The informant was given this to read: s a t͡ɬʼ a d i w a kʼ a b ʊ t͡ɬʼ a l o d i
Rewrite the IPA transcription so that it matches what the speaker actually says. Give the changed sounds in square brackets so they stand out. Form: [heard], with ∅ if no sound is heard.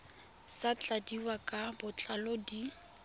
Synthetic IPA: s a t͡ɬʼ a d i w a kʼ a b ʊ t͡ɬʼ a l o d i